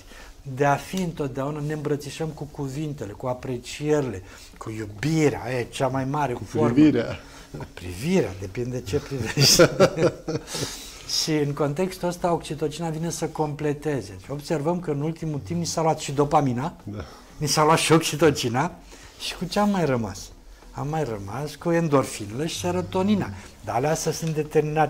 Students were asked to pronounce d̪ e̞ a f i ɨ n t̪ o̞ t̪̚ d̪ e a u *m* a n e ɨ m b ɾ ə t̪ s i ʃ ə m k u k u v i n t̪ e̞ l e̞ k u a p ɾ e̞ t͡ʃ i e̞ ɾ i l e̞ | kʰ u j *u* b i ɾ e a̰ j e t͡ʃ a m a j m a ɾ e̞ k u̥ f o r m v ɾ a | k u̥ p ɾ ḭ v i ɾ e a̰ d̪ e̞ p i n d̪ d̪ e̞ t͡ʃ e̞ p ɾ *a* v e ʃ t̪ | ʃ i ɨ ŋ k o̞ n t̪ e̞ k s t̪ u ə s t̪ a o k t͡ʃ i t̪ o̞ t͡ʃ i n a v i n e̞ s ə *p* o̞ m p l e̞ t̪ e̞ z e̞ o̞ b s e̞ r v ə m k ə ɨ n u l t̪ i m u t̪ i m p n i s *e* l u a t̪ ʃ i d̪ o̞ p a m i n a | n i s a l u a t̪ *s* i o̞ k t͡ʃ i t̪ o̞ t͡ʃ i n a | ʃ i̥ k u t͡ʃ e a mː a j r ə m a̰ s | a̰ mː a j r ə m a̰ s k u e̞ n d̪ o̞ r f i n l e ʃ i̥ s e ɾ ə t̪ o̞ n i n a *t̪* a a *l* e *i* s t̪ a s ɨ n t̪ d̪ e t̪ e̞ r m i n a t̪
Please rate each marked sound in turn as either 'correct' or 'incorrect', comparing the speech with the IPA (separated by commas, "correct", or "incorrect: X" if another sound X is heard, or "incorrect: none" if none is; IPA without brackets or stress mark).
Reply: incorrect: n, correct, incorrect: i, incorrect: k, incorrect: a, incorrect: ʃ, incorrect: d̪, correct, incorrect: a